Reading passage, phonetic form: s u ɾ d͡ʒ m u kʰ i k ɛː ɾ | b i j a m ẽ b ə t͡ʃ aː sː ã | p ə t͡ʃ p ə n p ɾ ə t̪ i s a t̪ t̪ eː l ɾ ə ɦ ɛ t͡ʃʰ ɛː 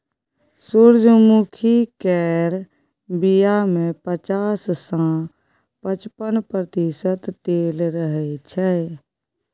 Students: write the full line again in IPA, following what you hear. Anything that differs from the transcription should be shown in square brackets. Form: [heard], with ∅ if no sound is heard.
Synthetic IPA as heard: s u ɾ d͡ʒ m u kʰ i k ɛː ɾ | b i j a m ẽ [p] ə t͡ʃ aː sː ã | p ə t͡ʃ p ə n p ɾ ə t̪ i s [ə] t̪ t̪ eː l ɾ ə ɦ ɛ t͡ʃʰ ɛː